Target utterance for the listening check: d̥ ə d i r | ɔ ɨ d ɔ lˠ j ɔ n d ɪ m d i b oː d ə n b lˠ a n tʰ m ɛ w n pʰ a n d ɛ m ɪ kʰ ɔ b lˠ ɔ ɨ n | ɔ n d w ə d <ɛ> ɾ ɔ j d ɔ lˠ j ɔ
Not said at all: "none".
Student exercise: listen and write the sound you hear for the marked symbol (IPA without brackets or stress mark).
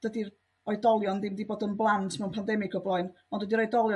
i